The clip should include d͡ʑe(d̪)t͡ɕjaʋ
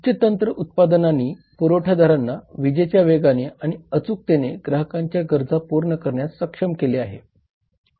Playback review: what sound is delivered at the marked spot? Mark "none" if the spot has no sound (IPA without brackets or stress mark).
none